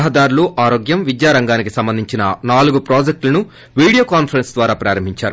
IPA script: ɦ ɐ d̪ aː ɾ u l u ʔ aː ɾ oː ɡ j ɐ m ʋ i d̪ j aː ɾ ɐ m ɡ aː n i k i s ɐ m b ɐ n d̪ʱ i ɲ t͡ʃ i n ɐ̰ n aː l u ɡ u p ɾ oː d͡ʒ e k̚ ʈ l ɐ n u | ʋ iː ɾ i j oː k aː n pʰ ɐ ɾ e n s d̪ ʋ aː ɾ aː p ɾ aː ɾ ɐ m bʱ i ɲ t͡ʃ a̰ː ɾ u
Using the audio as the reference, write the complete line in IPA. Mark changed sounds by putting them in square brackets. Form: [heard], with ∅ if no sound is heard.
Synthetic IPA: ɦ ɐ d̪ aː ɾ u l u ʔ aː ɾ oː ɡ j ɐ m ʋ i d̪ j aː ɾ ɐ [ŋ] ɡ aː n i k i s ɐ m b ɐ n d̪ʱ i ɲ t͡ʃ i n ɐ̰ n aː l u ɡ u p ɾ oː d͡ʒ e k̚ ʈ l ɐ n u | ʋ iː [ɽ] i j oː k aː n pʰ ɐ ɾ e n s d̪ ʋ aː ɾ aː p ɾ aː ɾ ɐ m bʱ i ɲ t͡ʃ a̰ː ɾ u